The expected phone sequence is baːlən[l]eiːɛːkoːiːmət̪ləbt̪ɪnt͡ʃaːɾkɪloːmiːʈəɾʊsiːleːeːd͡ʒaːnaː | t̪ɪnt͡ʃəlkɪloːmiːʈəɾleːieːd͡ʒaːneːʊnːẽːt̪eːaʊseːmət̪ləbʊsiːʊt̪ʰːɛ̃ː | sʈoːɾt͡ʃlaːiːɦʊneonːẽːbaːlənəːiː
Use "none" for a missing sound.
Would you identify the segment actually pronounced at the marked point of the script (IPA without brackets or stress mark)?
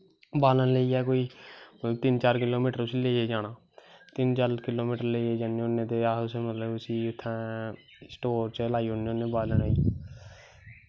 l